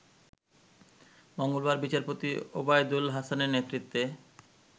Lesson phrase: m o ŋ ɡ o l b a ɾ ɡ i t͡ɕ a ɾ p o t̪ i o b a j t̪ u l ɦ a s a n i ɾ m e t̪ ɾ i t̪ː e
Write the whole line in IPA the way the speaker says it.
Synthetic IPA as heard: m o ŋ ɡ o l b a ɾ b i t͡ɕ a ɾ p o t̪ i o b a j d̪ u l ɦ a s a n e ɾ n e t̪ ɾ i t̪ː e